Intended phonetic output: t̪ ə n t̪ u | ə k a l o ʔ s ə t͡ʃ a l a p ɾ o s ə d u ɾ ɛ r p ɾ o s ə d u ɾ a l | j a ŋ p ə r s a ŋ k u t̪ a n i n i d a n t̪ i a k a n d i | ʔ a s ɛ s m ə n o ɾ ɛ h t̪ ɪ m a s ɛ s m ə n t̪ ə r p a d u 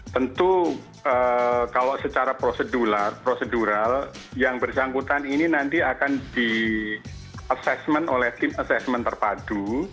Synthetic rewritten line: t̪ ə n t̪ u | ə k a l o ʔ s ə t͡ʃ a ɾ a p ɾ o s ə d u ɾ a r p ɾ o s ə d u ɾ a l | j a ŋ b ə r s a ŋ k u t̪ a n i n i n a n t̪ i a k a n d i | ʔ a s ɛ s m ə n o l ɛ h t̪ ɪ m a s ɛ s m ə n t̪ ə r p a d u